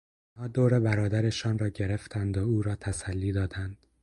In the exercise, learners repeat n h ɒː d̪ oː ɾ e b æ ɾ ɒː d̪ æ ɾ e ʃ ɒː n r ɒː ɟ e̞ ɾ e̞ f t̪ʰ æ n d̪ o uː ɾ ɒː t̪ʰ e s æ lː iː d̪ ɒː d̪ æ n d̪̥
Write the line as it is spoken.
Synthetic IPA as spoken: n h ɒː d̪ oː ɾ e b æ ɾ ɒː d̪ æ ɾ e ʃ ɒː n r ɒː ɟ e̞ ɾ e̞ f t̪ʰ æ n d̪ o uː ɾ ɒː t̪ʰ æ s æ lː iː d̪ ɒː d̪ æ n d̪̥